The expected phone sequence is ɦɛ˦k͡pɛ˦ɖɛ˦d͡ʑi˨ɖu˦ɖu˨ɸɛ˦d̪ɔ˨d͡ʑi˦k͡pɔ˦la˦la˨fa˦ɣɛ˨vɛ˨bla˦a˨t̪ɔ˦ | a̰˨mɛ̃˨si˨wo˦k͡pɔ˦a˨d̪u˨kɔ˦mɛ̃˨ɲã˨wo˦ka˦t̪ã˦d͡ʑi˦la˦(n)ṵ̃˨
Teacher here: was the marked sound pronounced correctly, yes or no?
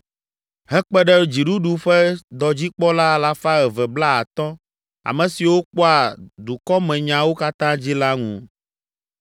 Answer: no